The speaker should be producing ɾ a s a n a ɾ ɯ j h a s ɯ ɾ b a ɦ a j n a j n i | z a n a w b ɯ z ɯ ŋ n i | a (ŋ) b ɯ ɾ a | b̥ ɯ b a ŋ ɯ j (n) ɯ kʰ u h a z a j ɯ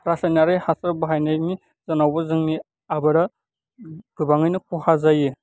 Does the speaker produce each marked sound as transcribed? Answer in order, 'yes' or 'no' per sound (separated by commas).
no, yes